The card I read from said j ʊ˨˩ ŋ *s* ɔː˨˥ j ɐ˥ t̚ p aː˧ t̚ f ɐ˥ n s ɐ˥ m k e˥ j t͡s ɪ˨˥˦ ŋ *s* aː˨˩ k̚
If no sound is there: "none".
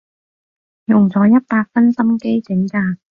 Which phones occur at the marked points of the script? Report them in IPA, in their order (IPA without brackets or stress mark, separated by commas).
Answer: t͡s, t͡s